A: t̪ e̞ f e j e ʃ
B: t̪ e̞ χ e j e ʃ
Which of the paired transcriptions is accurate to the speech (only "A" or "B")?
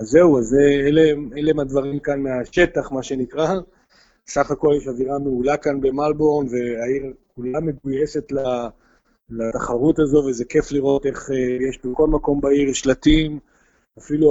B